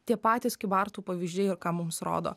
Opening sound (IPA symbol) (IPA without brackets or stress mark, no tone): t̪ʲ